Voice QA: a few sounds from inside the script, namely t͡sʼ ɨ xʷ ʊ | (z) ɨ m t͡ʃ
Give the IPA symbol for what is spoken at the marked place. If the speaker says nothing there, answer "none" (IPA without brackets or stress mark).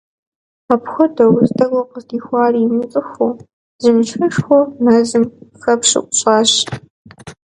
z